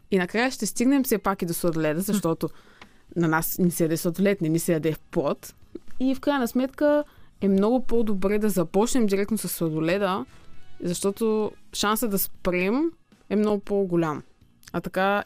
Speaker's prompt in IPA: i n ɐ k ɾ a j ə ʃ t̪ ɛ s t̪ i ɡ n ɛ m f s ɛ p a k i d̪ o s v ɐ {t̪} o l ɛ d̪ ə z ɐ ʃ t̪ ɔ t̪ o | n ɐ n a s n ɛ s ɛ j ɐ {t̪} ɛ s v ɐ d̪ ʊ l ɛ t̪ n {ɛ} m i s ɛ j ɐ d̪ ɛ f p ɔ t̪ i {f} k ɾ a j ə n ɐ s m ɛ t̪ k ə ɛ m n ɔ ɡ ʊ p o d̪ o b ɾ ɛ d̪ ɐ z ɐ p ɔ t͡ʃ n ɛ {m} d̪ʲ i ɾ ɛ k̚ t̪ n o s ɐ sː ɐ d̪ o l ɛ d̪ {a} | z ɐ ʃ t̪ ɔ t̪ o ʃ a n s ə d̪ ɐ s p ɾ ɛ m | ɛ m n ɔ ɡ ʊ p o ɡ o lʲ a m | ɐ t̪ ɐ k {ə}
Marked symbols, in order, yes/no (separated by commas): no, no, yes, yes, yes, no, no